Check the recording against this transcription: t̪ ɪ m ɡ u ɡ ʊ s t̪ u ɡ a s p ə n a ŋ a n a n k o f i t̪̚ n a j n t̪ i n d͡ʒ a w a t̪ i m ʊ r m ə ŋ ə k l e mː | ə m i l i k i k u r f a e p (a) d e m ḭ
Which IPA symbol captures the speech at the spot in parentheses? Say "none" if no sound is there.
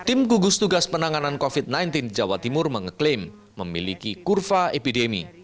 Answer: i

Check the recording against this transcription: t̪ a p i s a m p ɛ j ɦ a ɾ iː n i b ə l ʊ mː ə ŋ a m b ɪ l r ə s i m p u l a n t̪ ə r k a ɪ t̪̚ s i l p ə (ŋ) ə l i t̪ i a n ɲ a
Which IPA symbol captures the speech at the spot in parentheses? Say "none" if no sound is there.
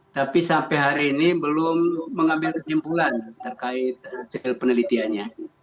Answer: n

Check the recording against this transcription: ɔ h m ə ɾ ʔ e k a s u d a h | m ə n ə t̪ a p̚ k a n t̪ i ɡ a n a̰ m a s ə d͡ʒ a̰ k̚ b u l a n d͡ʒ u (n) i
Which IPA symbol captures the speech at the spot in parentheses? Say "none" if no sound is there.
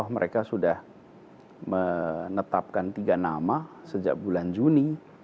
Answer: n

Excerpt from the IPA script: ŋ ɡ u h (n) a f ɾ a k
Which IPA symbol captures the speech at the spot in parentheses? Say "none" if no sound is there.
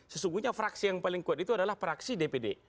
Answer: ɲ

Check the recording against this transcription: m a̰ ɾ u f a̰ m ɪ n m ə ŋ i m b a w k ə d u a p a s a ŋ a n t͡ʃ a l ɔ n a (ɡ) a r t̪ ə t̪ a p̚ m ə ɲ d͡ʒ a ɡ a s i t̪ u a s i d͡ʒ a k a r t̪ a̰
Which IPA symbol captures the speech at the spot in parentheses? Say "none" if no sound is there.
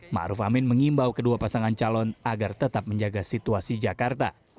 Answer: ɡ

